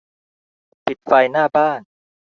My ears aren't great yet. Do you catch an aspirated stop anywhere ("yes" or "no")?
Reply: no